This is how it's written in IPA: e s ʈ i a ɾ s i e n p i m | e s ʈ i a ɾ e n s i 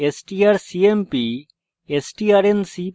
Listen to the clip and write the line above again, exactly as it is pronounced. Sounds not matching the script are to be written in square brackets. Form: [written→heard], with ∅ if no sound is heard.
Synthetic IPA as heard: e s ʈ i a ɾ s i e [n→m] p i [m→∅] | e s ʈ i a ɾ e n s i